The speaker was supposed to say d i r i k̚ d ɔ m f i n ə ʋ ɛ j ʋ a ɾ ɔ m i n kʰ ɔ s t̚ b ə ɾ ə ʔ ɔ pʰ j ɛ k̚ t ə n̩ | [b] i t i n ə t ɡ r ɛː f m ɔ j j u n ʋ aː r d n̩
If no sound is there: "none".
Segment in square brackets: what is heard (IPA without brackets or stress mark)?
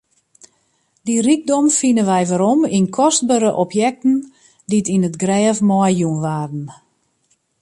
d